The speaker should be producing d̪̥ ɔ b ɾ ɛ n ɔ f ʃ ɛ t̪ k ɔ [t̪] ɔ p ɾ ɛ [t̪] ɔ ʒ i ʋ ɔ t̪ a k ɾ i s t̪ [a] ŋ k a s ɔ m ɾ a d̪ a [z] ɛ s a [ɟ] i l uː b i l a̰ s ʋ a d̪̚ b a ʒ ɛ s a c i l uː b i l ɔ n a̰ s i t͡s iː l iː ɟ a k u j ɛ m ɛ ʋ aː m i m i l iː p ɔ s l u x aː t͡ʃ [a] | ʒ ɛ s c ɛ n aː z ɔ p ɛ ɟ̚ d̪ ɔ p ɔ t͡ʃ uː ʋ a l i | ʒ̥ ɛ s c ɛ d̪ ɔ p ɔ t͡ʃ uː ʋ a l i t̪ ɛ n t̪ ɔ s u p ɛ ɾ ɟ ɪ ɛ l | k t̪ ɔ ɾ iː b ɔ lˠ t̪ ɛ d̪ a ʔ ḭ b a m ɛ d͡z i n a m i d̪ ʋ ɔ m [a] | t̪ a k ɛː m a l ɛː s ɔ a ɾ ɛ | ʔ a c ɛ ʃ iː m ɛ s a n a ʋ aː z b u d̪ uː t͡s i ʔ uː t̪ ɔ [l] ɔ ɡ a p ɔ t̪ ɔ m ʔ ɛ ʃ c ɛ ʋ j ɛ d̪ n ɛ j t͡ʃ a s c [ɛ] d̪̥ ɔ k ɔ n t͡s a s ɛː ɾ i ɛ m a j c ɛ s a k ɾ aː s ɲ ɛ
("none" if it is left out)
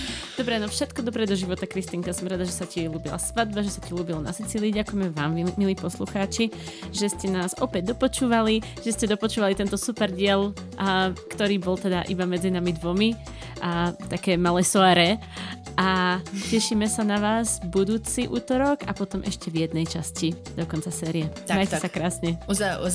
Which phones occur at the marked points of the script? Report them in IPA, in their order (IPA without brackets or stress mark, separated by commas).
d̪, d̪, i, ʒ, c, i, i, ɾ, i